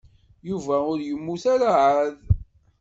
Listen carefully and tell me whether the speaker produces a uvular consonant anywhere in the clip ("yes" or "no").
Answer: no